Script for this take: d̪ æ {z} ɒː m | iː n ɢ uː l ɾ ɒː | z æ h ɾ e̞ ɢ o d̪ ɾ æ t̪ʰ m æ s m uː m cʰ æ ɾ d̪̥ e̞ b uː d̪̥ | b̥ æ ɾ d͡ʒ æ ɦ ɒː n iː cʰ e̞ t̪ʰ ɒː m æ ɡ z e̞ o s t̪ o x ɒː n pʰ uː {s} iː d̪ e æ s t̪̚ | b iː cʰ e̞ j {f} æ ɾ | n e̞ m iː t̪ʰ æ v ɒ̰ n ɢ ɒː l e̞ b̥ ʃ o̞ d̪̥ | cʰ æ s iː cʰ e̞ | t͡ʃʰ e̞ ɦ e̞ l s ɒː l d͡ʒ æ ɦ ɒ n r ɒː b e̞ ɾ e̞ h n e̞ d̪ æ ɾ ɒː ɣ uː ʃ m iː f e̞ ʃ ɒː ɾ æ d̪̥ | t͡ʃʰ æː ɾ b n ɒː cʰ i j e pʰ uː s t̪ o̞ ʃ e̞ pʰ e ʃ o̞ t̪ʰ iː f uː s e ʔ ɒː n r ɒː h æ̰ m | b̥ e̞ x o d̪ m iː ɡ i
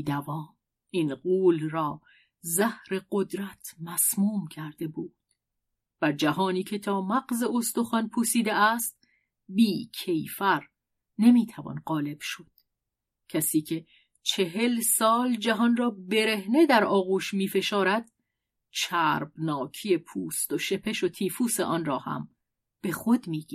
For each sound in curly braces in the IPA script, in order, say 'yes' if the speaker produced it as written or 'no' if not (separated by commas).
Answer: no, yes, yes